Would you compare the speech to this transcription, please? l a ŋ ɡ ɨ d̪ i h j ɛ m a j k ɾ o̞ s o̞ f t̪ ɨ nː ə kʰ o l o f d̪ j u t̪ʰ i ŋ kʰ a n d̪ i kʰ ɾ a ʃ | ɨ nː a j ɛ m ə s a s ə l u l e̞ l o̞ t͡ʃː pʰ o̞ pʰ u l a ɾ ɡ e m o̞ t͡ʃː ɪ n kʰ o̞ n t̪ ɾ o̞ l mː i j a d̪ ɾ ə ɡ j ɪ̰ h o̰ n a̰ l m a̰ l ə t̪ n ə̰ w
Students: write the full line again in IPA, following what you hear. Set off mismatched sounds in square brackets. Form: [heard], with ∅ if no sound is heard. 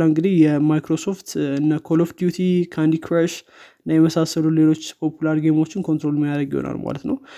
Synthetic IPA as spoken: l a ŋ ɡ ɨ d̪ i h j ɛ m a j k ɾ o̞ s o̞ f t̪ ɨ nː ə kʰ o l o f d̪ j u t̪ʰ i [∅] kʰ a n d̪ i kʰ ɾ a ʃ | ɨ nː a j ɛ m ə s a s ə l u l e̞ l o̞ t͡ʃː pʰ o̞ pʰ u l a ɾ ɡ e m o̞ t͡ʃː ɪ n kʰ o̞ n t̪ ɾ o̞ l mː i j a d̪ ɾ ə ɡ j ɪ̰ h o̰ n a̰ l m a̰ l ə t̪ n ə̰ w